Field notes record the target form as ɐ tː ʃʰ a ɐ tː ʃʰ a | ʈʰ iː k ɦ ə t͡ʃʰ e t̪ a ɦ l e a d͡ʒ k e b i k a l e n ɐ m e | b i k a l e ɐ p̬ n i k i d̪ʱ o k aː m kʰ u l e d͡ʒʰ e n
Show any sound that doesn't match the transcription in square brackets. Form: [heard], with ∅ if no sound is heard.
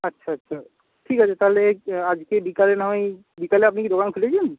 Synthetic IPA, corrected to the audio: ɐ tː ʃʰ a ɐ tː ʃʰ a | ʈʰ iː k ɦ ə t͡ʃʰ e t̪ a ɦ l e a d͡ʒ k e b i k a l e n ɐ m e | b i k a l e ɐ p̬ n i k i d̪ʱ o k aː [n] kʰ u l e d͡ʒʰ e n